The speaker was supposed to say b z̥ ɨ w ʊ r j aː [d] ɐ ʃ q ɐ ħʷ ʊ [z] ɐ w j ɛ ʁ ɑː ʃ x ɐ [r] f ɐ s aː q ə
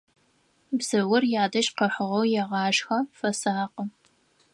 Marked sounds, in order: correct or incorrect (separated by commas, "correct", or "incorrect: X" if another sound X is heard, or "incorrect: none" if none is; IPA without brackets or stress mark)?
correct, incorrect: ʁ, incorrect: none